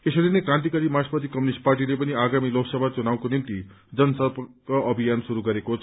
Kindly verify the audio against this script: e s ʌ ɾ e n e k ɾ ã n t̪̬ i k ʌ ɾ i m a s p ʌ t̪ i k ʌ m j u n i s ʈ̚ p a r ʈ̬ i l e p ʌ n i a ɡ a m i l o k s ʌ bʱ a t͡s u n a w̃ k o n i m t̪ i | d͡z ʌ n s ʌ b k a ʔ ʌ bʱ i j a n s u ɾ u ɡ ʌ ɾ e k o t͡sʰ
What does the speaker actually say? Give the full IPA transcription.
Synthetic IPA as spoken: e s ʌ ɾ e n e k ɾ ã n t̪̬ i k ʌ ɾ i m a s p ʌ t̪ i k ʌ m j u n i s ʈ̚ p a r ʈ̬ i l e p ʌ n i a ɡ a m i l o k s ʌ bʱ a t͡s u n a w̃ k o n i m t̪ i | d͡z ʌ n s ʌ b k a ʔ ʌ bʱ i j a n s u ɾ u ɡ ʌ ɾ e k o t͡sʰ